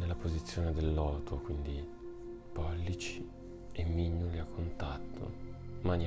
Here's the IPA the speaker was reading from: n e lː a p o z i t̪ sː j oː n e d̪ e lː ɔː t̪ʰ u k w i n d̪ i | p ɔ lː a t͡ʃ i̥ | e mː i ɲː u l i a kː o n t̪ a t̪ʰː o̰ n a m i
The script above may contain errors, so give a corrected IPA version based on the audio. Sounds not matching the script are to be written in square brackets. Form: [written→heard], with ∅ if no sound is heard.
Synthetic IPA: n e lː a p o z i t̪ sː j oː n e d̪ e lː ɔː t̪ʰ [u→o] k w i n d̪ i | p ɔ lː [a→i] t͡ʃ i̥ | e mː i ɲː u l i a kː o n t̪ a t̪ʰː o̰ [n→m] a [m→n] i